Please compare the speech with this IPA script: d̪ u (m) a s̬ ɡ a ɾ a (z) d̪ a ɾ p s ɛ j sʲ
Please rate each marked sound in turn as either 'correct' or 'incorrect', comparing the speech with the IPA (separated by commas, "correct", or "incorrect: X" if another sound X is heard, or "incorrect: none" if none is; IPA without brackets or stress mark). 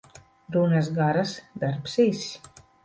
incorrect: n, incorrect: s